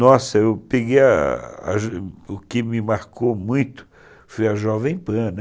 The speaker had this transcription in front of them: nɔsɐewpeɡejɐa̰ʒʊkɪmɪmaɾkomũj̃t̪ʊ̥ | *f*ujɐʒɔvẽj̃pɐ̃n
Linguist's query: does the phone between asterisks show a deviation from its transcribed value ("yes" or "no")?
no